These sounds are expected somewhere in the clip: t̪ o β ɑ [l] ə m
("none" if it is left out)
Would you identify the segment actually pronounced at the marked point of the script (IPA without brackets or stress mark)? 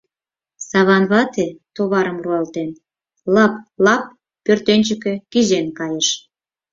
ɾ